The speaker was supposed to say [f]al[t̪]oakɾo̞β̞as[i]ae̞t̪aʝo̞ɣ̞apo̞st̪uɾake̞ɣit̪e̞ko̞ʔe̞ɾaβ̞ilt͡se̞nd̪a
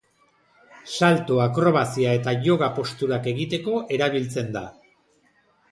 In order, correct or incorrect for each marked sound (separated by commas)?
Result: incorrect, correct, correct